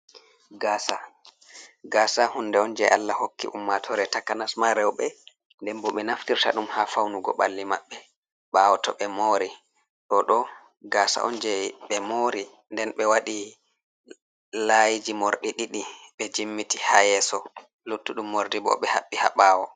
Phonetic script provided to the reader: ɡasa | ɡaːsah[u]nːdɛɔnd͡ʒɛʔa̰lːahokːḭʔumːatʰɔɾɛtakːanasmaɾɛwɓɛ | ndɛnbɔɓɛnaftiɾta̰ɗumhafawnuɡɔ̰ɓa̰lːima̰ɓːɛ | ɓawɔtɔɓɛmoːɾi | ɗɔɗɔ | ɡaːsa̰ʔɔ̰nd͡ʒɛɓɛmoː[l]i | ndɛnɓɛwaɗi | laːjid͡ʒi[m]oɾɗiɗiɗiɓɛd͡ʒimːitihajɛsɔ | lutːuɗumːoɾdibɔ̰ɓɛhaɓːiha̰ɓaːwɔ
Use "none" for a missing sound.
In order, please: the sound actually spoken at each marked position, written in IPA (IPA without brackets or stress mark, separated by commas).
u, ɾ, m